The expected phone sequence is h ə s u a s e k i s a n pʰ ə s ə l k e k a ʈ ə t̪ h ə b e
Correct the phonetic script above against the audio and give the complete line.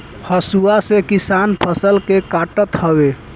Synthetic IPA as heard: h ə s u a s e k i s a n pʰ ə s ə l k e k a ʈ ə t̪ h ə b e